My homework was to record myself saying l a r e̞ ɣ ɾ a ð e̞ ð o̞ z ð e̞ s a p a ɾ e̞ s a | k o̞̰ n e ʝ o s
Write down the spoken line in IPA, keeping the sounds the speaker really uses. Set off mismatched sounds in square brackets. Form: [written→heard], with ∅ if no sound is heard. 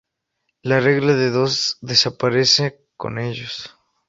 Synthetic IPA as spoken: l a r e̞ ɣ [ɾ→l] a ð e̞ ð o̞ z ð e̞ s a p a ɾ e̞ s [a→e] | k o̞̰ n e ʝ o s